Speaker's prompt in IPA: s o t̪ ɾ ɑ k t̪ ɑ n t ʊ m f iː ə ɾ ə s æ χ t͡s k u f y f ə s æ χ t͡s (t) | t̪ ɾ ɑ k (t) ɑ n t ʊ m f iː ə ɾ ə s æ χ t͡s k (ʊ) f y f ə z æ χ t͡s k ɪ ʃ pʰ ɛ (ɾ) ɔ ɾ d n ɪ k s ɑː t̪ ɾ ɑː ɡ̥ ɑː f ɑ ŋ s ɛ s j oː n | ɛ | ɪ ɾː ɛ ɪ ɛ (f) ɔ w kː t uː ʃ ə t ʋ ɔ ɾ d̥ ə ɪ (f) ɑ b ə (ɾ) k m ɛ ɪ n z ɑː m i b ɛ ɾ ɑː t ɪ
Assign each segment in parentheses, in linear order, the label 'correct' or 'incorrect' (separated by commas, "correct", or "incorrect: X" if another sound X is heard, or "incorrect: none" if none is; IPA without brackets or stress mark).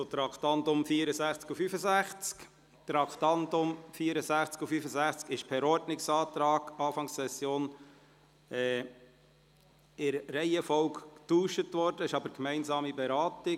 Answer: incorrect: k, correct, incorrect: u, correct, correct, incorrect: ʃ, correct